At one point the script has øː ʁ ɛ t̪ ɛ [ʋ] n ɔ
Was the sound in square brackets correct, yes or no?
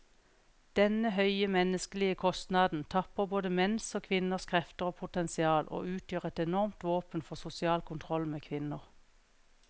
no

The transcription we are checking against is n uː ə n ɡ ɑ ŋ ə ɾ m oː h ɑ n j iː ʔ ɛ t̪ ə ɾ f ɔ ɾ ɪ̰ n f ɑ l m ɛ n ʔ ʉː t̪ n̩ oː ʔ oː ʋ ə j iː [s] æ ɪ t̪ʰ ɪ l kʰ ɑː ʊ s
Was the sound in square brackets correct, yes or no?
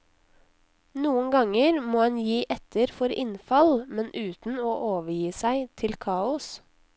yes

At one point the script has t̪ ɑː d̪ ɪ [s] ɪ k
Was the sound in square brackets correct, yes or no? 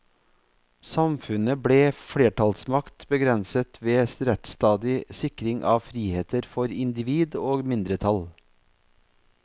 yes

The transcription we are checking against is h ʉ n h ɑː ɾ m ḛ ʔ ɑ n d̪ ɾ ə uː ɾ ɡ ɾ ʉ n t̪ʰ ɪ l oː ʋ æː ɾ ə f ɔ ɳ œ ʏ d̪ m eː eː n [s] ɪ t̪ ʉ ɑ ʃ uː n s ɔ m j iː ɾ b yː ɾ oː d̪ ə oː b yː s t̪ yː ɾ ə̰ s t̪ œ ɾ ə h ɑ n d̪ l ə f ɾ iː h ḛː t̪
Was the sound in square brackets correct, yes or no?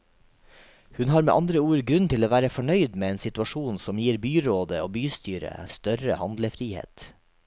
yes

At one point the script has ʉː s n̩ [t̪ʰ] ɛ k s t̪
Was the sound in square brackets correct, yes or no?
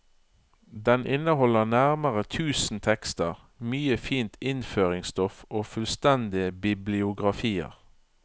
yes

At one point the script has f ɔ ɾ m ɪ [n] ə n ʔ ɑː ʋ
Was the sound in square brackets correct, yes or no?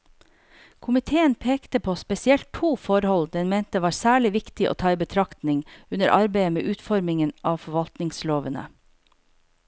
no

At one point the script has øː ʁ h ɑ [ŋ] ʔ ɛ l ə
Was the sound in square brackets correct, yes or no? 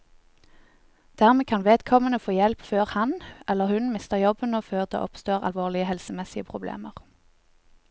no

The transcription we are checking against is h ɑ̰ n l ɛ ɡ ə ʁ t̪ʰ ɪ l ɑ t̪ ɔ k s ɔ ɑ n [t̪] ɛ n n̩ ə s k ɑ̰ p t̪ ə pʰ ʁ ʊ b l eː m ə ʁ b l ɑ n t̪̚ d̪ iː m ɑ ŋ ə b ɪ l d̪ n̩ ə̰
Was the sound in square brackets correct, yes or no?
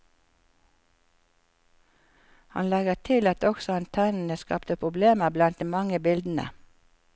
no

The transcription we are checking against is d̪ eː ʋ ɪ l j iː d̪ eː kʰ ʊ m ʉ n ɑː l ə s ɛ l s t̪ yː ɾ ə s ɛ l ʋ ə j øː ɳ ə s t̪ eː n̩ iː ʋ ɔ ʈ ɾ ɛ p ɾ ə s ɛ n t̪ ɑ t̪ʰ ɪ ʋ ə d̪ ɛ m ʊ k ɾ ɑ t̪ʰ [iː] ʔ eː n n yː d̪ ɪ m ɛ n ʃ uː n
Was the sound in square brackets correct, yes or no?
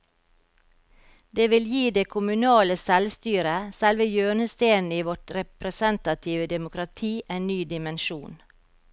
yes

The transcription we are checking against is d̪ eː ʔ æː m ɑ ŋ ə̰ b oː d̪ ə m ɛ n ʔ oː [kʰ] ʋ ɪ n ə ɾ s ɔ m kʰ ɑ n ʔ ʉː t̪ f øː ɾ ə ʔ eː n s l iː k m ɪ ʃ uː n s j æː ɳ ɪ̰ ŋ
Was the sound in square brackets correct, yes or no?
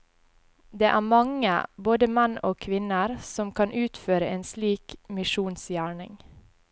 yes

